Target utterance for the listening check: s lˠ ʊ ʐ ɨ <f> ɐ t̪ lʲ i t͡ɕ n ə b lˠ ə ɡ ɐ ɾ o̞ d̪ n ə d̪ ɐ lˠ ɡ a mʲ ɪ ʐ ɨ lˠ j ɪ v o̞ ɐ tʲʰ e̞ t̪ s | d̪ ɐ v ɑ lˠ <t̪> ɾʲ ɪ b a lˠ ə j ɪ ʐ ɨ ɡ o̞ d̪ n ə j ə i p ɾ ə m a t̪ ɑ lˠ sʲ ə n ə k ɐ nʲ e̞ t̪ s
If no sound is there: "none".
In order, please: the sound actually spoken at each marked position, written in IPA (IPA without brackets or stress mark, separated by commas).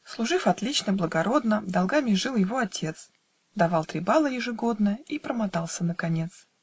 f, t̪